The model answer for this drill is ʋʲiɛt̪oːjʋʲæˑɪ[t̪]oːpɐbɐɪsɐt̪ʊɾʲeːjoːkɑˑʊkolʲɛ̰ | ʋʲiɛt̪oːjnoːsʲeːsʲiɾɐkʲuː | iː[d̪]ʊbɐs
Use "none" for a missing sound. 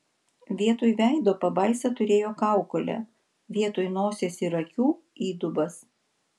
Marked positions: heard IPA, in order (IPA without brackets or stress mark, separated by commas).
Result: d̪, d̪